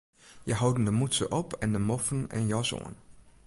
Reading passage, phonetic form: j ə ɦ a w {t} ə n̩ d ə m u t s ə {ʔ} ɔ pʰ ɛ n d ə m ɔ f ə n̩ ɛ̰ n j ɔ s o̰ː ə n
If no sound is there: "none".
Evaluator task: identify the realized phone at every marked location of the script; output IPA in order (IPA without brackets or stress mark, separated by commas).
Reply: d, ʔ